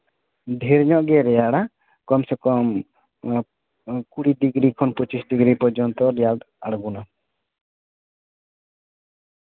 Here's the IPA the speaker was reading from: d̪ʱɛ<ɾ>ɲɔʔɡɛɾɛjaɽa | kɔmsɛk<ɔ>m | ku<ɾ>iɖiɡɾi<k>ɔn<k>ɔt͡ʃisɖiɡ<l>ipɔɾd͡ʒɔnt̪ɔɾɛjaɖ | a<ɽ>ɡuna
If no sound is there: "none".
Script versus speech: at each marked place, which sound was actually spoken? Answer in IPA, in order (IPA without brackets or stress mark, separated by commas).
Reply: ɾ, ɔ, ɽ, kʰ, p, ɾ, ɽ